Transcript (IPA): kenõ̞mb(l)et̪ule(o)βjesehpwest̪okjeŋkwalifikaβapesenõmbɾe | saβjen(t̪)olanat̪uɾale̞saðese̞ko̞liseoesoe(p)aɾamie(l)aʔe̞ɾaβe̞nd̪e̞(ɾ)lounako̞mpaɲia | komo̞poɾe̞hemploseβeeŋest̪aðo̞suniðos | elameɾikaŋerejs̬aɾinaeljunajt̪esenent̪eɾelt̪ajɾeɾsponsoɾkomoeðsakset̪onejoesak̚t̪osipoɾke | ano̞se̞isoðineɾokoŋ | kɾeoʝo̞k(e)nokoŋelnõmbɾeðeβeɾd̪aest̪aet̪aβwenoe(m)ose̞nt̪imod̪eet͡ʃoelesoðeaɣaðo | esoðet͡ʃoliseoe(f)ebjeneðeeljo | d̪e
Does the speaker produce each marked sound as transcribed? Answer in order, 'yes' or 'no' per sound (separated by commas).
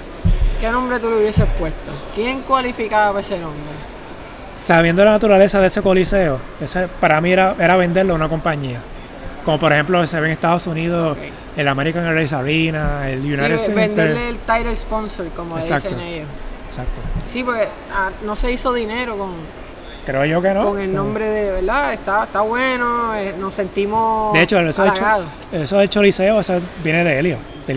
no, no, no, yes, no, yes, yes, no, no